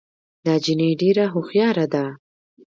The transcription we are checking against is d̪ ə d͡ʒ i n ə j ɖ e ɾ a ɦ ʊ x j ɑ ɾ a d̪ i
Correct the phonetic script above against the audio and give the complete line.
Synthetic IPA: d̪ ɑ d͡ʒ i n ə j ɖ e ɾ a ɦ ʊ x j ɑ ɾ a d̪ a